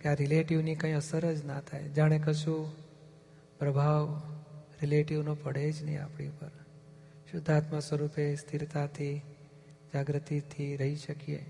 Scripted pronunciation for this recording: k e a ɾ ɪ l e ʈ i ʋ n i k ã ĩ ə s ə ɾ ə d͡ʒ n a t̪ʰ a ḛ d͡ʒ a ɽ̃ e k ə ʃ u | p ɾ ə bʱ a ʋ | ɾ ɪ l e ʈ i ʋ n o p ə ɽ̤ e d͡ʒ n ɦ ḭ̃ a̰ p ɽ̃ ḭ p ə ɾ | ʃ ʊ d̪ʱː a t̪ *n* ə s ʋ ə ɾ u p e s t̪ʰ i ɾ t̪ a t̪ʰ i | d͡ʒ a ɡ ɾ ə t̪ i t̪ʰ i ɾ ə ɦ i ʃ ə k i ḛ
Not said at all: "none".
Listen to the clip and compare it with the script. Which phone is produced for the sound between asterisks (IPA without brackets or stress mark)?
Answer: m